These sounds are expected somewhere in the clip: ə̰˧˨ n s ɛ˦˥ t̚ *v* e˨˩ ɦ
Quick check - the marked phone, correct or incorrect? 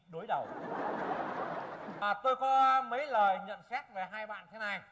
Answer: correct